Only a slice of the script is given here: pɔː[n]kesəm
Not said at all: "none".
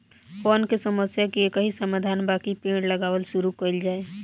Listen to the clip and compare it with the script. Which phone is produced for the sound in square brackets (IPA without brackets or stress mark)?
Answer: n